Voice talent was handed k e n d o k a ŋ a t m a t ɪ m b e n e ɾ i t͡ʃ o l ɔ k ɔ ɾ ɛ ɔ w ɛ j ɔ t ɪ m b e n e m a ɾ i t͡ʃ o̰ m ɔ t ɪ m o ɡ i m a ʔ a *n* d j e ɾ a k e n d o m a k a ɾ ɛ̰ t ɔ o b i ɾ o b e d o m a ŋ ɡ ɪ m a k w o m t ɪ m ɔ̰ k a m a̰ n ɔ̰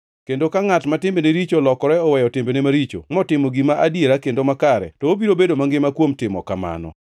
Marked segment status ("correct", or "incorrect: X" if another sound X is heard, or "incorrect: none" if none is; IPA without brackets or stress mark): incorrect: none